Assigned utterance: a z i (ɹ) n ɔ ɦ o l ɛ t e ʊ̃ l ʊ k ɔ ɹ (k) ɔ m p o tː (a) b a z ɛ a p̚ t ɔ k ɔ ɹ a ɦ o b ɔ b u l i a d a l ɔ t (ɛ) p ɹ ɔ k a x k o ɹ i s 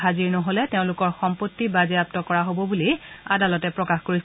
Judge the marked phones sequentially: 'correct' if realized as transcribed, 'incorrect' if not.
correct, incorrect, incorrect, correct

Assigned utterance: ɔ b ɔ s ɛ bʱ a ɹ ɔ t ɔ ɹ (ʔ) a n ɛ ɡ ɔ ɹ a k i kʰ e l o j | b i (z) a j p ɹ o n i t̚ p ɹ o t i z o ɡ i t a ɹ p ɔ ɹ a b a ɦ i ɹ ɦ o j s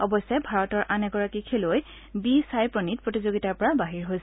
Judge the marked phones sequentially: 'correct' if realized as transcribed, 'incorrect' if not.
correct, incorrect

